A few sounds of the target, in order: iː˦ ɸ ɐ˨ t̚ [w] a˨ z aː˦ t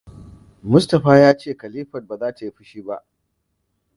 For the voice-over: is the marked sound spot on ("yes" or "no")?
no